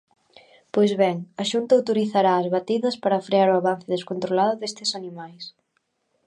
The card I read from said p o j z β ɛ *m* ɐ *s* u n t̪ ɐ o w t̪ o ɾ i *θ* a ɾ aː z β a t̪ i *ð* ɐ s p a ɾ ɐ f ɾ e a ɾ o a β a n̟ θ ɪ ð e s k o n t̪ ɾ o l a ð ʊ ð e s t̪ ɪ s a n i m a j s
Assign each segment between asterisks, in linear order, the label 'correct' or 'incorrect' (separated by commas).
incorrect, incorrect, correct, correct